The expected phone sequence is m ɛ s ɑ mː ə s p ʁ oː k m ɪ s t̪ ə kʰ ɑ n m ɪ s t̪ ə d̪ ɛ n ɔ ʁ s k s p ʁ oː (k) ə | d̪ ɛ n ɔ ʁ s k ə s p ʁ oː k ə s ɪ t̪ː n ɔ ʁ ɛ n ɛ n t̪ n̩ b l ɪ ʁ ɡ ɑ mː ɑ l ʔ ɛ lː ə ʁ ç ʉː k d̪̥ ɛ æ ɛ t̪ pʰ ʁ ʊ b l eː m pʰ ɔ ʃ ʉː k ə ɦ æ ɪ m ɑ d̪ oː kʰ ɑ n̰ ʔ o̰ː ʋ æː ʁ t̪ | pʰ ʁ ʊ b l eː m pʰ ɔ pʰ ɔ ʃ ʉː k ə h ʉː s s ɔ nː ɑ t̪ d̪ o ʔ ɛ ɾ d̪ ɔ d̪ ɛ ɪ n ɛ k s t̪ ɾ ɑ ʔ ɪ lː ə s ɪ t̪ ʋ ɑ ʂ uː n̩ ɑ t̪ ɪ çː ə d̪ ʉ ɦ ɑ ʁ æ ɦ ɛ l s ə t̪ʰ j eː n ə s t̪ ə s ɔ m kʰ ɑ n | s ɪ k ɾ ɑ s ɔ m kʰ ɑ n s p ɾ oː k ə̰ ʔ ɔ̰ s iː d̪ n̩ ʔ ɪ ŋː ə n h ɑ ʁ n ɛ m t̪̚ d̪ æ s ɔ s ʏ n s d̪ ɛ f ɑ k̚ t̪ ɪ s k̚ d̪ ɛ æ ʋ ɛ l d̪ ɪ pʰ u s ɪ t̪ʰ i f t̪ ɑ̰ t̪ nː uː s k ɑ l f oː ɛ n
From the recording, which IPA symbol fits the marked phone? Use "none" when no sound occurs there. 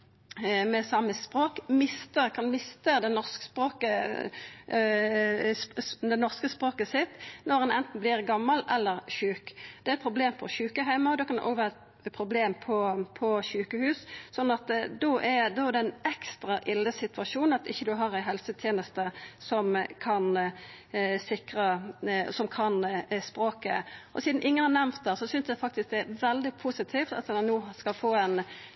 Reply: k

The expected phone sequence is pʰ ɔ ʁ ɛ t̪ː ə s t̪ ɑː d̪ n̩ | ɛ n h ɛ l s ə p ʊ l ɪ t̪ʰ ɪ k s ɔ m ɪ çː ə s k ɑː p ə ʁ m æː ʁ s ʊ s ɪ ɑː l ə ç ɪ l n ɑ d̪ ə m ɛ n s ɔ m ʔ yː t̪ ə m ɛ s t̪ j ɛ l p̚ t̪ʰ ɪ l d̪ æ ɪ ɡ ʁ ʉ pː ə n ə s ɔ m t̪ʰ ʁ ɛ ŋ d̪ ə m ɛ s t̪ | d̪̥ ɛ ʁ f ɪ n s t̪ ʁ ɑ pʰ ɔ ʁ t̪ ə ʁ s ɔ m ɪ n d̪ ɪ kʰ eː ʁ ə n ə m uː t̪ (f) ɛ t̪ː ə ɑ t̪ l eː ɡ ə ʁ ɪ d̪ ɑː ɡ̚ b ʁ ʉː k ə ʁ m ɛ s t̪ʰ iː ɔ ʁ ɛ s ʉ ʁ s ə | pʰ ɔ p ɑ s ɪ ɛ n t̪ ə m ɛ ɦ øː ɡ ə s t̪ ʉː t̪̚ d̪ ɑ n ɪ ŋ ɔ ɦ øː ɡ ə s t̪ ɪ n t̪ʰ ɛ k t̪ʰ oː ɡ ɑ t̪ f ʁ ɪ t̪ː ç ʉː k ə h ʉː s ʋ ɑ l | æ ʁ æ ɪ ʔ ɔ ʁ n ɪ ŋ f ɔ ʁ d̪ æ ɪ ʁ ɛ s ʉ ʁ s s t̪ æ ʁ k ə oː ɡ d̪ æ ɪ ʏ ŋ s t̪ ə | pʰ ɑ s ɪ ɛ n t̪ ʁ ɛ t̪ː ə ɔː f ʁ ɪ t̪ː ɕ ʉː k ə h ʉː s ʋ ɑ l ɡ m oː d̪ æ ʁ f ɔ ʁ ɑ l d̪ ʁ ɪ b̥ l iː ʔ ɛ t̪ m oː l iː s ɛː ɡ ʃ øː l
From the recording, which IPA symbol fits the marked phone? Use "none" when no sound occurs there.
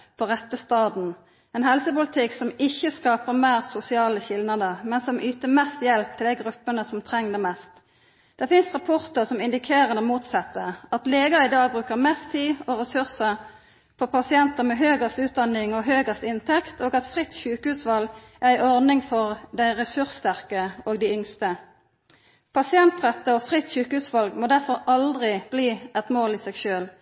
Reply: s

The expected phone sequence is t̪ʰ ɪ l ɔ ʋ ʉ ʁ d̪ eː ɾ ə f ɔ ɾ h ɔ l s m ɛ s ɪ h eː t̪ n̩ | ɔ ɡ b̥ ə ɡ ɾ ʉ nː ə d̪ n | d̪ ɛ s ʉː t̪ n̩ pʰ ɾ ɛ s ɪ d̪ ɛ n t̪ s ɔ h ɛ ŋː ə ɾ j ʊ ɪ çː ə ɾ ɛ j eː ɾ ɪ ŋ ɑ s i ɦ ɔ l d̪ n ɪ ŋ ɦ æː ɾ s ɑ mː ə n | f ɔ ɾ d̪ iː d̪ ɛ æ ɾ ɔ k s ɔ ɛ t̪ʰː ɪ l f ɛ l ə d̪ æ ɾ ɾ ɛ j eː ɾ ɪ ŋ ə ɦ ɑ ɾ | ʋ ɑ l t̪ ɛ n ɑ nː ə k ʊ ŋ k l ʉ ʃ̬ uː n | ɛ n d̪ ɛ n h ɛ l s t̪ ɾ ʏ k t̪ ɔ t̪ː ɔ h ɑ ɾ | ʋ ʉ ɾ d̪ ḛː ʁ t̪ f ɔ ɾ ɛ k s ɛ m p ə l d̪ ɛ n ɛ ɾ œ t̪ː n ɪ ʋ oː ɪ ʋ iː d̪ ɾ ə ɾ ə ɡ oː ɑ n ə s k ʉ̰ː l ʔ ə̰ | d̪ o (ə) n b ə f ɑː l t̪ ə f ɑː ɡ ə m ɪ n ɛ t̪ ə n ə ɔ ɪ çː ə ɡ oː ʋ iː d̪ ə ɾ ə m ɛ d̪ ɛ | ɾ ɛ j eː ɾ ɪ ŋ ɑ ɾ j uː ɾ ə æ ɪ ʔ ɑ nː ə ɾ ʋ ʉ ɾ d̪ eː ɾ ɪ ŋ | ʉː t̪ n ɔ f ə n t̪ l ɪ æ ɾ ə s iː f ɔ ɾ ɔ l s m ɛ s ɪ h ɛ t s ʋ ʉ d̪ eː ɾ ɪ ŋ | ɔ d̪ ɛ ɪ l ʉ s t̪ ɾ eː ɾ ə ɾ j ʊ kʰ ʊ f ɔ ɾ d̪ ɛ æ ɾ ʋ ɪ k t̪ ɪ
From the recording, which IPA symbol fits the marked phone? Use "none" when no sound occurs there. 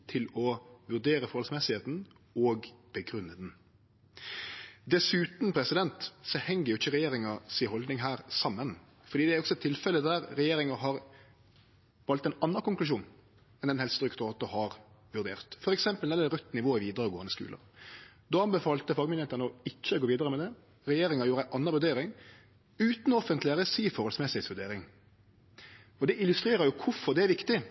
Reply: ɑ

